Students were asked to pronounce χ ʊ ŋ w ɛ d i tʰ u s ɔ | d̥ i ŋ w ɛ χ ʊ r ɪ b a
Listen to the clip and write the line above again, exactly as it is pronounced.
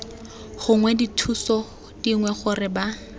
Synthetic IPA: χ ʊ ŋ w ɛ d i tʰ u s ɔ | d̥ i ŋ w ɛ χ ʊ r ɪ b a